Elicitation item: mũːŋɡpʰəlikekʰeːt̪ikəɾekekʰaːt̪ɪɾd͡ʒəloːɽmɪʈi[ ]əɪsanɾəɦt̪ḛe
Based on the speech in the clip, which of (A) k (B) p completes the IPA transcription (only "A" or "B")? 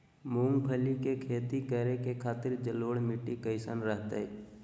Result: A